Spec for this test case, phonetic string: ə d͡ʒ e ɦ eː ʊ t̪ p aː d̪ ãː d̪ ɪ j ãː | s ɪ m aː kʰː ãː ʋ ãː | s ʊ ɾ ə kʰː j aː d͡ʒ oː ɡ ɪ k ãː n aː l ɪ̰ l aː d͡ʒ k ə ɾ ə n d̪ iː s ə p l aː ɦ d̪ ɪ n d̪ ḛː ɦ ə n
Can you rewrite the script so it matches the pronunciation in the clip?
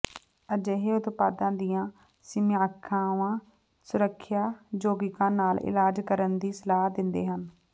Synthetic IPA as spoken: ə d͡ʒ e ɦ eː ʊ t̪ p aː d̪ ãː d̪ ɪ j ãː | s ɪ m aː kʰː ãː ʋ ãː | s ʊ ɾ ə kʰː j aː d͡ʒ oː ɡ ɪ k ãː n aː l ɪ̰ l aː d͡ʒ k ə ɾ ə n d̪ iː s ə l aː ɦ d̪ ɪ n d̪ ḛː ɦ ə n